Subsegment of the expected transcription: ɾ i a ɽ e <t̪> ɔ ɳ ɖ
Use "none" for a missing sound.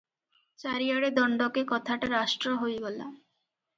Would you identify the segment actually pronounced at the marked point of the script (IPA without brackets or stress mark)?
d̪